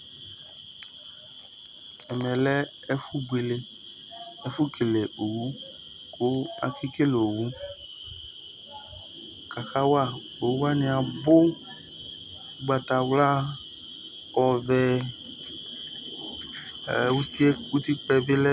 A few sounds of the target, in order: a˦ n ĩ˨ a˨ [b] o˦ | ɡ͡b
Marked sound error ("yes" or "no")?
no